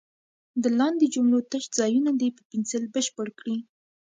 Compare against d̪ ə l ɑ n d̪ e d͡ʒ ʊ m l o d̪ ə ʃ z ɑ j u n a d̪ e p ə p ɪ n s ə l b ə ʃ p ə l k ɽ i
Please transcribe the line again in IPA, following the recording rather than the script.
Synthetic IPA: d̪ ə l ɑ n d̪ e d͡ʒ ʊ m l o t̪ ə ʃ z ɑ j u n a d̪ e p ə p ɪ n s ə l b ə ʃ p ə ɽ k ɽ i